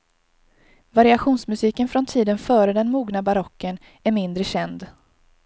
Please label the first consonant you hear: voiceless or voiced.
voiced